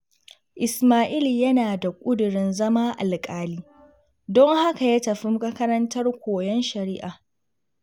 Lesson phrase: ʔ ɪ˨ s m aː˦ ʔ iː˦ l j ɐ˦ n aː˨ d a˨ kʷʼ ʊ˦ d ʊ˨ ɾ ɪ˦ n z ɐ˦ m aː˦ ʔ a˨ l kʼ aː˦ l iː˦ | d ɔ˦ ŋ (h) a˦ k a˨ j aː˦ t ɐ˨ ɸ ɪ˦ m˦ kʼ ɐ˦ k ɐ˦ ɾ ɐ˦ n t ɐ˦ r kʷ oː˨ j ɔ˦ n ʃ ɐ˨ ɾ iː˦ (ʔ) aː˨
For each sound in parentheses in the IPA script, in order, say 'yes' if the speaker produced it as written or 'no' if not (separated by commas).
yes, yes